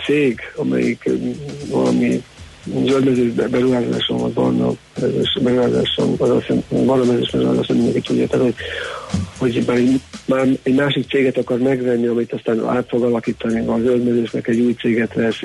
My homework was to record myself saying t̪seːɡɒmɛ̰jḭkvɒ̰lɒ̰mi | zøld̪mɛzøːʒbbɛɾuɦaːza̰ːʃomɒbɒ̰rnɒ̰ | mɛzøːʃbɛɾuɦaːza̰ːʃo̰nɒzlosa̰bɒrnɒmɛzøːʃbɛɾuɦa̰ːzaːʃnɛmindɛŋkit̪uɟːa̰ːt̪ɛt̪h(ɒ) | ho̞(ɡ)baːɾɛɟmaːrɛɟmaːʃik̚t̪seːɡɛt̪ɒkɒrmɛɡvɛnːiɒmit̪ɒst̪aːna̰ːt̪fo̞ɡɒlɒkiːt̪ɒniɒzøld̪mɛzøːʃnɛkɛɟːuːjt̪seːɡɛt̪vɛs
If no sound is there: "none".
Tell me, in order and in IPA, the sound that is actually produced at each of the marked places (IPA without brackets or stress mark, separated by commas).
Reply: o, ɟ